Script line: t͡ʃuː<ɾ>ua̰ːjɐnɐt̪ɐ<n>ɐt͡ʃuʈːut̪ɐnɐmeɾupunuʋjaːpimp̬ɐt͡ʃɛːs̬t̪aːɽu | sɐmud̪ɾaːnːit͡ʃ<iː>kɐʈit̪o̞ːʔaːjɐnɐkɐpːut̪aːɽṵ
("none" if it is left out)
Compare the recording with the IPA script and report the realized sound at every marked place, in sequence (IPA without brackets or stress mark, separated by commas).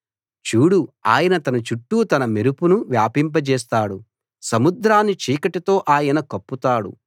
ɽ, n, iː